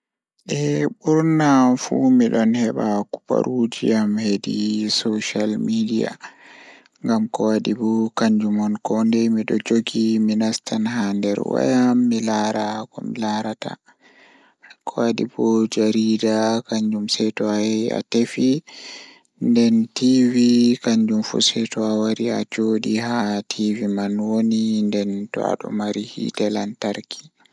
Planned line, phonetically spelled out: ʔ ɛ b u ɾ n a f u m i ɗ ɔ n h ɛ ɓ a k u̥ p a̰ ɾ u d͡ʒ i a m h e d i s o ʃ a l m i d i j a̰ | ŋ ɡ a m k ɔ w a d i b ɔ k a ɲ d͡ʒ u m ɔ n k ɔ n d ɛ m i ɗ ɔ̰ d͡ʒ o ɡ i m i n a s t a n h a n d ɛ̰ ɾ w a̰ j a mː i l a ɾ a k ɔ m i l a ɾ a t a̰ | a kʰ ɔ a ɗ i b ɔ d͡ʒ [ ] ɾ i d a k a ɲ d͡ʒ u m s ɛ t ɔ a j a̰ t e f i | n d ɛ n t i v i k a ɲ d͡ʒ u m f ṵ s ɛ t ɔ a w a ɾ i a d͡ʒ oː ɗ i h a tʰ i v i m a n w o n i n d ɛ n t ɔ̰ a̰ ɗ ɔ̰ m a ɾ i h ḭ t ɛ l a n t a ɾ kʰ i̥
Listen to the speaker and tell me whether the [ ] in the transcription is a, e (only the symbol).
a